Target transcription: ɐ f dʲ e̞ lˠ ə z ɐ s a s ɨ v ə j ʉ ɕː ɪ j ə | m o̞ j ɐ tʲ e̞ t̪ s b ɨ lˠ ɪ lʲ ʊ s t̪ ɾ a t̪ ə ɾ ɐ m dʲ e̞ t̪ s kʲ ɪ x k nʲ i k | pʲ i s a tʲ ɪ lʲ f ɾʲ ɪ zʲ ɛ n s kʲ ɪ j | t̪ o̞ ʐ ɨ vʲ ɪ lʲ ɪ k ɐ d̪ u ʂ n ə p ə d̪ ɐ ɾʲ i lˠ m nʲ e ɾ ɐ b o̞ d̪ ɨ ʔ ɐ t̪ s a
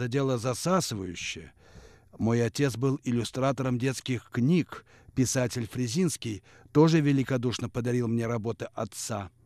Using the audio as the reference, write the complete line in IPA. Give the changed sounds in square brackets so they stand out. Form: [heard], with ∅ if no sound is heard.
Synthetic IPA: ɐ [∅] dʲ e̞ lˠ ə z ɐ s a s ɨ v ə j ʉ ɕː ɪ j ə | m o̞ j ɐ tʲ e̞ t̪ s b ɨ lˠ ɪ lʲ ʊ s t̪ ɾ a t̪ ə ɾ [ə] m dʲ e̞ t̪ s kʲ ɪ x k nʲ i k | pʲ [ɪ] s a tʲ ɪ lʲ f ɾʲ ɪ zʲ [i] n s kʲ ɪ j | t̪ o̞ ʐ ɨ vʲ ɪ lʲ ɪ k ɐ d̪ u ʂ n ə p ə d̪ ɐ ɾʲ i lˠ m nʲ e ɾ ɐ b o̞ [t̪] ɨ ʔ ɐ t̪ s a